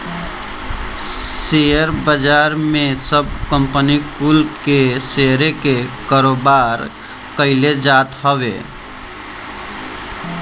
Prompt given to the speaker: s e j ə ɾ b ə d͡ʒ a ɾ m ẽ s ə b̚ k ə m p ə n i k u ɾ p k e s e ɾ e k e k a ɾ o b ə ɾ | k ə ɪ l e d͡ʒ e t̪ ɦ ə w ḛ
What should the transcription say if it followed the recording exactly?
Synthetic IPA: s e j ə ɾ b ə d͡ʒ a ɾ m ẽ s ə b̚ k ə m p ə n i k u l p k e s e ɾ e k e k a ɾ o b a ɾ | k ə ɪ l e d͡ʒ a t̪ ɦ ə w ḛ